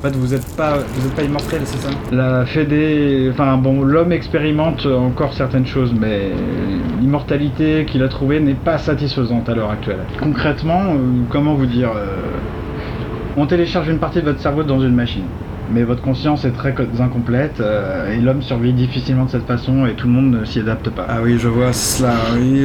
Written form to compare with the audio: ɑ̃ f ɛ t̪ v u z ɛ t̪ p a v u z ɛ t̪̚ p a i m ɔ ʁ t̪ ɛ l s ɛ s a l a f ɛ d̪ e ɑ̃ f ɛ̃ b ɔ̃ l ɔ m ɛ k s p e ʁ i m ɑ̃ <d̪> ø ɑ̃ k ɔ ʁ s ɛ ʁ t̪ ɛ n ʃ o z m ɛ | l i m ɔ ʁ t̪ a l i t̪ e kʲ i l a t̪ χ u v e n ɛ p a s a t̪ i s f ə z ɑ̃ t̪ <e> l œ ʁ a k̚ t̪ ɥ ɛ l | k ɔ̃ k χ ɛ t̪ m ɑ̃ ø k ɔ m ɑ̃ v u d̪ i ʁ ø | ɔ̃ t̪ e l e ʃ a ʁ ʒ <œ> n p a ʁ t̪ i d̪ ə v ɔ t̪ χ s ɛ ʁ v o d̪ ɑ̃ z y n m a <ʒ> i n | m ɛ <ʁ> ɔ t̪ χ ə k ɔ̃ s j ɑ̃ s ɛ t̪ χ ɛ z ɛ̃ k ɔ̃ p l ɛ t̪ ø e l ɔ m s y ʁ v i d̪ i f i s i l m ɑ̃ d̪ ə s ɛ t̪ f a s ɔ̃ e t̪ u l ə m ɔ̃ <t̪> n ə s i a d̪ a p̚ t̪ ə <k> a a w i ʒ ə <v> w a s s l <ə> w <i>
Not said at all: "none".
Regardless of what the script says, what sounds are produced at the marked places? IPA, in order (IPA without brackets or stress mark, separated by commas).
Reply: t̪, a, y, ʃ, v, d̪, p, v, a, i